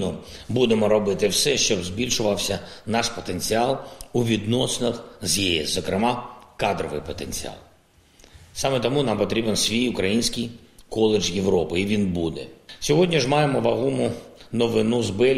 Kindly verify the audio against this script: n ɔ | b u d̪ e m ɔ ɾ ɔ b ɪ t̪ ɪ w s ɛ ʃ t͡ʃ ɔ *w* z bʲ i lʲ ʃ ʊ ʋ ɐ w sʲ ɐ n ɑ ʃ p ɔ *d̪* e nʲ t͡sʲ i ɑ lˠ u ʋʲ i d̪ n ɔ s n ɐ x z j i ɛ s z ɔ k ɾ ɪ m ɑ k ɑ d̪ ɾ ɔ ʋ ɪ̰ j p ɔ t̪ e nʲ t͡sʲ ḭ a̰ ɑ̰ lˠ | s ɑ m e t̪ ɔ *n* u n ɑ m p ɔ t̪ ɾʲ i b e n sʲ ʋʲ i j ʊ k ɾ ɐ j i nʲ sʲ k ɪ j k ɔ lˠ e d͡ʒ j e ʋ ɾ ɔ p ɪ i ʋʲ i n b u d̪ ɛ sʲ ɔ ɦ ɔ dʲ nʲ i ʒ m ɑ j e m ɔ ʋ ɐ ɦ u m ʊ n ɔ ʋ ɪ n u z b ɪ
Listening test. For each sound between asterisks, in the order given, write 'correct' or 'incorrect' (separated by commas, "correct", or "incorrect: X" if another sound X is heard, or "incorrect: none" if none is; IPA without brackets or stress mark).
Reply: incorrect: b, incorrect: t̪, incorrect: m